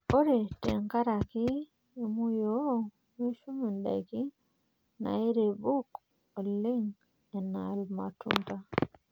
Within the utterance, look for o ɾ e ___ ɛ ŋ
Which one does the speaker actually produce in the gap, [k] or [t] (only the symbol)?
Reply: t